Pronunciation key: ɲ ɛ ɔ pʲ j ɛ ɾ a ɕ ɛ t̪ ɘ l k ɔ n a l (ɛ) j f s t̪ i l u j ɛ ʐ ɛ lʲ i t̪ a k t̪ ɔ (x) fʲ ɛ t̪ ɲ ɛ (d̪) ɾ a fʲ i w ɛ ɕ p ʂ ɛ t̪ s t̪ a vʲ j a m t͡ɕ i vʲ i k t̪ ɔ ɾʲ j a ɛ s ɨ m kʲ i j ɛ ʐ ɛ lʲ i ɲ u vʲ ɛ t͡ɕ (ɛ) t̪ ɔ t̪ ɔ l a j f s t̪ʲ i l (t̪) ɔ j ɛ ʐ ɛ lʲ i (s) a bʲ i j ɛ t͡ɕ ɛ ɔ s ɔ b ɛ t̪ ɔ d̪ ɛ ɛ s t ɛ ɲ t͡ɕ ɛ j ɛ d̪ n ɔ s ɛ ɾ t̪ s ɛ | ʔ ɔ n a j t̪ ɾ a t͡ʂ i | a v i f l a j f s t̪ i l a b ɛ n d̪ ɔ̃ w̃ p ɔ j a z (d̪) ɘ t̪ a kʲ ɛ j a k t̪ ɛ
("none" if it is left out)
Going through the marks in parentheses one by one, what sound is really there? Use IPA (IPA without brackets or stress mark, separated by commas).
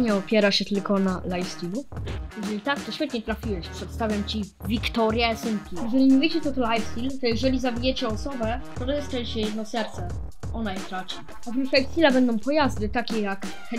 a, ɕ, t̪, ɛ, t̪, z, d̪